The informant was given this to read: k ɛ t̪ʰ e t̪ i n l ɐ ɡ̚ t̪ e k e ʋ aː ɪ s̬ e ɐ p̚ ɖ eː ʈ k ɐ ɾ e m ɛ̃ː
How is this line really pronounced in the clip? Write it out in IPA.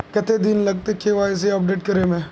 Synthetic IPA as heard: k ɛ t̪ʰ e d̪ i n l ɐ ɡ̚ t̪ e k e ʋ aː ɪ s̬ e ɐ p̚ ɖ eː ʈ k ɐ ɾ e m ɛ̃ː